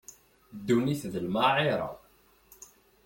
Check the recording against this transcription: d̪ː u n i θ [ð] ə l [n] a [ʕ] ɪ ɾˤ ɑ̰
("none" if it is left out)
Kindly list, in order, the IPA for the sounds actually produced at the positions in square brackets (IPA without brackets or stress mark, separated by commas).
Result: ð, m, ʕ